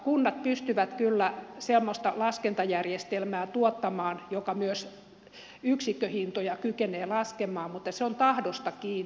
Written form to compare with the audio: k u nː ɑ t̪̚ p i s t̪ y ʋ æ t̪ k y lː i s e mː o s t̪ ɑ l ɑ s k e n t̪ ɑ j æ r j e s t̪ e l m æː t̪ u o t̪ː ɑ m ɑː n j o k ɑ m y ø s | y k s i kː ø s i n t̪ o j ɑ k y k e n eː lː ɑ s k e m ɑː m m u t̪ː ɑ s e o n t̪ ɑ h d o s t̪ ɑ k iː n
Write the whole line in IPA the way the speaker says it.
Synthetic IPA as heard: k u nː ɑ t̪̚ p y s t̪ y ʋ æ t̪ k y lː æ s e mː o s t̪ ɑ l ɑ s k e n t̪ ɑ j æ r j e s t̪ e l m æː t̪ u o t̪ː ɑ m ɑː n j o k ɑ m y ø s | y k s i kː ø h i n t̪ o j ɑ k y k e n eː l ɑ s k e m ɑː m m u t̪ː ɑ s e o n t̪ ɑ h d o s t̪ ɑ k iː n